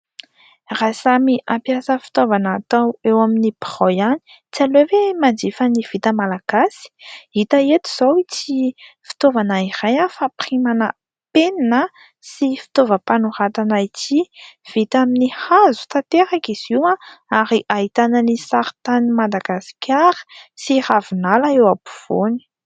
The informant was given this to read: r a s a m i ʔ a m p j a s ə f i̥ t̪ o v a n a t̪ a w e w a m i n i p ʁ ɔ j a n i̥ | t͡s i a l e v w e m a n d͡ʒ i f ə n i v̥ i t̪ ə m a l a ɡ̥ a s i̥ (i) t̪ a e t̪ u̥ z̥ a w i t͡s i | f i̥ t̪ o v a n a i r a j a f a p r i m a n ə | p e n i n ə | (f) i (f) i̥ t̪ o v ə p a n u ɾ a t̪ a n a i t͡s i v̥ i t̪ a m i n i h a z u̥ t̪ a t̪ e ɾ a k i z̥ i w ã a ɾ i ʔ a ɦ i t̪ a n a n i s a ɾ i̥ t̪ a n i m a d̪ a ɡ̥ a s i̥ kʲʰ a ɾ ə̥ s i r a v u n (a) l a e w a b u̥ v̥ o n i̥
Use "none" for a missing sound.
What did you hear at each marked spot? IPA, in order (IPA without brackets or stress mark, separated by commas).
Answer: i, s, f, a